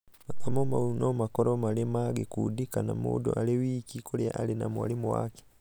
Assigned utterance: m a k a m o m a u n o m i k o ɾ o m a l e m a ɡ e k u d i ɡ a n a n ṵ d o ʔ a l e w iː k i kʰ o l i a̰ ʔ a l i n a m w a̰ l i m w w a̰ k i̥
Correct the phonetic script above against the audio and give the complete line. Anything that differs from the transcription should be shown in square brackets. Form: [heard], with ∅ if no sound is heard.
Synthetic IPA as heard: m a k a m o m a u n o m [a] k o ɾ o m a l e m a ɡ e k u d i [k] a n a [m] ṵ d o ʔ a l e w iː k i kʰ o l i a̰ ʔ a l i n a m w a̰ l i m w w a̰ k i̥